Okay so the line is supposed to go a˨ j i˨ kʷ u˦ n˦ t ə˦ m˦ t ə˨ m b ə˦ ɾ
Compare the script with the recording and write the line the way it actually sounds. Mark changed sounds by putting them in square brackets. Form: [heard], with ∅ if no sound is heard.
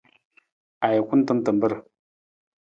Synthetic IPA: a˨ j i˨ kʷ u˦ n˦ t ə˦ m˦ t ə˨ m b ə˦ ɾ